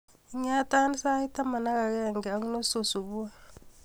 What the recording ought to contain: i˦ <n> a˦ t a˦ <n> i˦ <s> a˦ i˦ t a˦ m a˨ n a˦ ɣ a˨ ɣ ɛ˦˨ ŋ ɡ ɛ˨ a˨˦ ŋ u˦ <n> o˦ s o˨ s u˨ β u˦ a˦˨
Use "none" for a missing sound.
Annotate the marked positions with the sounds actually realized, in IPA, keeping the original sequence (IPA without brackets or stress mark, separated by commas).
ɲ, n, s, n